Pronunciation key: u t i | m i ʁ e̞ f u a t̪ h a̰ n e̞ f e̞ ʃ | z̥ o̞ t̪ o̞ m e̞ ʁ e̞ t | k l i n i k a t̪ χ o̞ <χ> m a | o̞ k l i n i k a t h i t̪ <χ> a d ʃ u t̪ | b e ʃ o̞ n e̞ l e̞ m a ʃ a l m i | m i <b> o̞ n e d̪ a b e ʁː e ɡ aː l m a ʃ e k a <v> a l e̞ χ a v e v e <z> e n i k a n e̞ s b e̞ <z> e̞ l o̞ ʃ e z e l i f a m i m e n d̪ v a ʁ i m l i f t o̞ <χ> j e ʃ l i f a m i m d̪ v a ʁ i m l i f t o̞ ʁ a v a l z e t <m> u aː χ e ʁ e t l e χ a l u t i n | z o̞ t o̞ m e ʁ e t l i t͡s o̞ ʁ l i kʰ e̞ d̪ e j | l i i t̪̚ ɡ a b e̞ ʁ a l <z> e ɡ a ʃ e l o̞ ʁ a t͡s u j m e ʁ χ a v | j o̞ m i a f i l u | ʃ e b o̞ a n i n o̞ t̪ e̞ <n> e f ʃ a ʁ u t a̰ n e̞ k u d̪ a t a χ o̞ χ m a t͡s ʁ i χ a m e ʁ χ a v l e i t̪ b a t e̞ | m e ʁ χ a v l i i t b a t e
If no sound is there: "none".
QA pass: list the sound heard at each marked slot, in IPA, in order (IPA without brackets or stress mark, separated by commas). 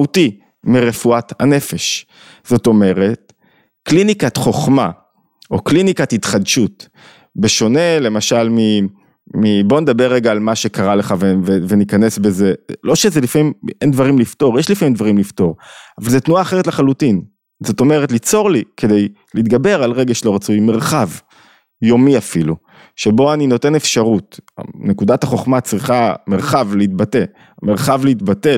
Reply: χ, χ, b, ʁ, v, z, ʁ, n, ʁ, n